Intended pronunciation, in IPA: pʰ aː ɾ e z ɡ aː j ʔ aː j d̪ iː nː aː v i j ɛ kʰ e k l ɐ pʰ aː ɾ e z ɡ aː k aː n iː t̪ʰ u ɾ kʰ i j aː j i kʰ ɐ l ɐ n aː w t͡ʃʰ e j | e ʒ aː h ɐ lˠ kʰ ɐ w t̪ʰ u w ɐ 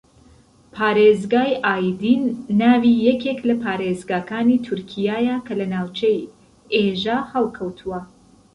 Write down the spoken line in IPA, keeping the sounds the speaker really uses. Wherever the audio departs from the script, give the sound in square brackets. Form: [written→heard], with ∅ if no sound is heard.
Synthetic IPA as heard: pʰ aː ɾ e z ɡ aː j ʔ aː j d̪ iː nː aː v i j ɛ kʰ e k l ɐ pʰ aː ɾ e z ɡ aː k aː n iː t̪ʰ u ɾ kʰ i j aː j [i→a] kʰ ɐ l ɐ n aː w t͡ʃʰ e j | e ʒ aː h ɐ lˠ kʰ ɐ w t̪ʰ u w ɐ